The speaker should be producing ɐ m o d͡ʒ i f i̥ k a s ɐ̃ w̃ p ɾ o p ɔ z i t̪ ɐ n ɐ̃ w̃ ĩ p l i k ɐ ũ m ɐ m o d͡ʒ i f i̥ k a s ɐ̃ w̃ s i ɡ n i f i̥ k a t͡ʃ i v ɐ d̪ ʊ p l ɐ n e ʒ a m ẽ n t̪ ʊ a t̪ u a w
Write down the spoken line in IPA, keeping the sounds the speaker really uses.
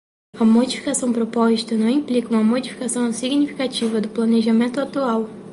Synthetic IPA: ɐ m o d͡ʒ i f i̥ k a s ɐ̃ w̃ p ɾ o p ɔ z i t̪ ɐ n ɐ̃ w̃ ĩ p l i k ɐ ũ m ɐ m o d͡ʒ i f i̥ k a s ɐ̃ w̃ s i ɡ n i f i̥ k a t͡ʃ i v ɐ d̪ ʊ p l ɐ n e ʒ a m ẽ n t̪ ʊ a t̪ u a w